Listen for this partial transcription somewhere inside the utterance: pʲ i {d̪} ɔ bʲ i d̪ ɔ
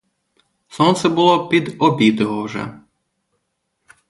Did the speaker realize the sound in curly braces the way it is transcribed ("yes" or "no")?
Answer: yes